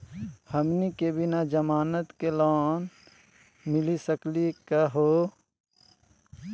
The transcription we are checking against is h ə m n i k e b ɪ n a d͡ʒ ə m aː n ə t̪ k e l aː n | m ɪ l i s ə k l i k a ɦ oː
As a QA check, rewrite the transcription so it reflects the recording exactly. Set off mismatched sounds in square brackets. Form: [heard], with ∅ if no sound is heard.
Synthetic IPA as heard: h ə m n i k e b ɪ n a d͡ʒ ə m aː n ə t̪ k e l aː n | m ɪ l i s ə k l i k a ɦ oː